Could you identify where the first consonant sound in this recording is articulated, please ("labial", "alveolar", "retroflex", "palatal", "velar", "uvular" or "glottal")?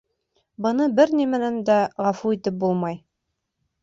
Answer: labial